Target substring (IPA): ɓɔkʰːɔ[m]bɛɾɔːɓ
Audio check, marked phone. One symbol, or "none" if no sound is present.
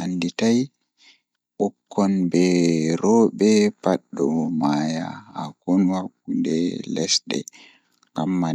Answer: n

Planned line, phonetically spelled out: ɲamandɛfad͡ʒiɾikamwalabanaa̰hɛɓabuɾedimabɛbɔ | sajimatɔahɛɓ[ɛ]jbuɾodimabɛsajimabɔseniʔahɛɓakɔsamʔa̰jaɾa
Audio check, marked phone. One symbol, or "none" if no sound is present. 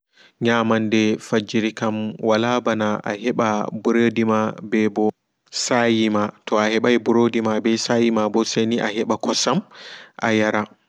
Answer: a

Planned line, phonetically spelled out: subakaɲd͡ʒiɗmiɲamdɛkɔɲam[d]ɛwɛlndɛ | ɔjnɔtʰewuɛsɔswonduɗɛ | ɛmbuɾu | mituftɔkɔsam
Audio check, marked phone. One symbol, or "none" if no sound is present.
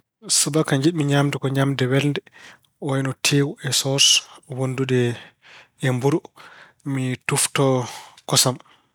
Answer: d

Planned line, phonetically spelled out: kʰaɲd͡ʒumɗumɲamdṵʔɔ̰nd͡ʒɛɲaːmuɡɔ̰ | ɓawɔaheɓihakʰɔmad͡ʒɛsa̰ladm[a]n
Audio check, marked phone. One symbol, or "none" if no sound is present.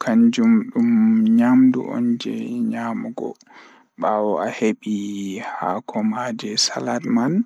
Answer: a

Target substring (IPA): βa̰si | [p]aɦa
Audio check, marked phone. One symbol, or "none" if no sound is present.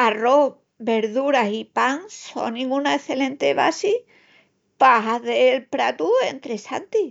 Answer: p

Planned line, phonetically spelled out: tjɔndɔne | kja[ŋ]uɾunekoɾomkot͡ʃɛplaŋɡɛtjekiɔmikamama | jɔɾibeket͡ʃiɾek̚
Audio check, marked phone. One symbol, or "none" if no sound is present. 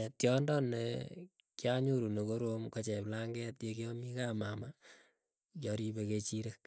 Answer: ɲ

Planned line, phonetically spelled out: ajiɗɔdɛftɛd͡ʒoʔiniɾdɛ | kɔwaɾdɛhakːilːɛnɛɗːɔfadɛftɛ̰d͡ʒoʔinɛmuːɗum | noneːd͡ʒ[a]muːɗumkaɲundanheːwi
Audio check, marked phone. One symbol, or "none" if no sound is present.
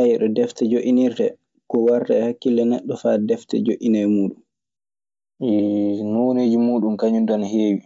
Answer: i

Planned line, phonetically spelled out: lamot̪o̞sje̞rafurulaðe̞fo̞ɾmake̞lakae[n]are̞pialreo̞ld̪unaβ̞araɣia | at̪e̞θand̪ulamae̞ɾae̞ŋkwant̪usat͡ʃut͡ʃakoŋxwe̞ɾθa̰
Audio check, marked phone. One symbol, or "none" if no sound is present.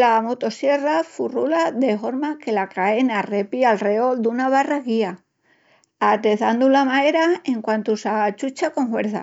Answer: n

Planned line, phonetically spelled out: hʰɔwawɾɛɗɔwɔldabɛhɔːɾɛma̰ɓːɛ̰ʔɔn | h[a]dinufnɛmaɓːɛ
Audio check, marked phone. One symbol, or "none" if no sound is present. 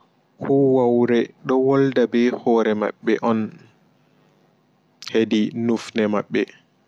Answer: e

